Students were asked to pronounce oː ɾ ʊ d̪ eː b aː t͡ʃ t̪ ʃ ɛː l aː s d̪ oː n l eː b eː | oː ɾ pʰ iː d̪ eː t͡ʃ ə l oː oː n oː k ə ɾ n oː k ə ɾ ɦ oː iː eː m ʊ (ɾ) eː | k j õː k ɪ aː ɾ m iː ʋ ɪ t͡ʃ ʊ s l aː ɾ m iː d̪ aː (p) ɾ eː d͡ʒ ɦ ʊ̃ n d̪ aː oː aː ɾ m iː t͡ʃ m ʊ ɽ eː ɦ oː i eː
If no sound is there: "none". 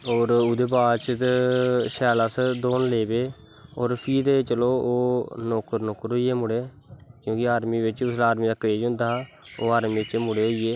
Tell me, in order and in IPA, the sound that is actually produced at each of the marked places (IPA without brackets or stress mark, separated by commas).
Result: ɽ, k